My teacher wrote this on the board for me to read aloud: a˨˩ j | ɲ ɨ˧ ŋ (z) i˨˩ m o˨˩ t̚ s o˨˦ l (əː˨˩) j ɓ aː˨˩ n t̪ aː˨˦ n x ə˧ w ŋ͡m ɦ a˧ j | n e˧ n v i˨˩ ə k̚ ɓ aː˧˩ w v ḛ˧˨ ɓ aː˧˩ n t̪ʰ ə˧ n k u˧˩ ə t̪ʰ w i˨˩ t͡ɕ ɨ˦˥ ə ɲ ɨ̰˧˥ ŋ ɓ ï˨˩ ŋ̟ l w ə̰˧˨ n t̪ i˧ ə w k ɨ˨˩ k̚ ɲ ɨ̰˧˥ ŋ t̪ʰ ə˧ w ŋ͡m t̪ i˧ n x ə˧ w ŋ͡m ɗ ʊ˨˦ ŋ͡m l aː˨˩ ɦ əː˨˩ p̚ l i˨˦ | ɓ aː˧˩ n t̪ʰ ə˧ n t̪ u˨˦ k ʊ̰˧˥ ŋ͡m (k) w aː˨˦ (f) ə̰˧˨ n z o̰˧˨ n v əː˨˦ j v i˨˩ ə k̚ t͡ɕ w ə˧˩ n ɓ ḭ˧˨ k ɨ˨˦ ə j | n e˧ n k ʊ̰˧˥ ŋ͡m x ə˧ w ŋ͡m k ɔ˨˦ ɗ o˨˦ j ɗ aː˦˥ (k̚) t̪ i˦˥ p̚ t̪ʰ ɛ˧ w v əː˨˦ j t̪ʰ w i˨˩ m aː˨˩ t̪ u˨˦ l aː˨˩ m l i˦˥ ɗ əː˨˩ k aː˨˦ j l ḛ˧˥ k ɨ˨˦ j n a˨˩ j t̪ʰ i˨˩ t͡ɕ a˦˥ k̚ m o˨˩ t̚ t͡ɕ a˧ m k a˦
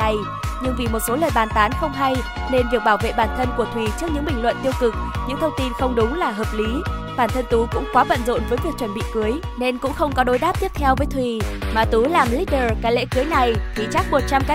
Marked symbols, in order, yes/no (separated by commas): no, yes, yes, no, no